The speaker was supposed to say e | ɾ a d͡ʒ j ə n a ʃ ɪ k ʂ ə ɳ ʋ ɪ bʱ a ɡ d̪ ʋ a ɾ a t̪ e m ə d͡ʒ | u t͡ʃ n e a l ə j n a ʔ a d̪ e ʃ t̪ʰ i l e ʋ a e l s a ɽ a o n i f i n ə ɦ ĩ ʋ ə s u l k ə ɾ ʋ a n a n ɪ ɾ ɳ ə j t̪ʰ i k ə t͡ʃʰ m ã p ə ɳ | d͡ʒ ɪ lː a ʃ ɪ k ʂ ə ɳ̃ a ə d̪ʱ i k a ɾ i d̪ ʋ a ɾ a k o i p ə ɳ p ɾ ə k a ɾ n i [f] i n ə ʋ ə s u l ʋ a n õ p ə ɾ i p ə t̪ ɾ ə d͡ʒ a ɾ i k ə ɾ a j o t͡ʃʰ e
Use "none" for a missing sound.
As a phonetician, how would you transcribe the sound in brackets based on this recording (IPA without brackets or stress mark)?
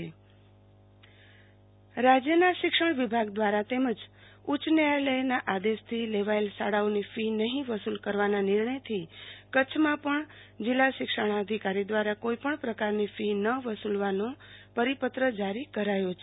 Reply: f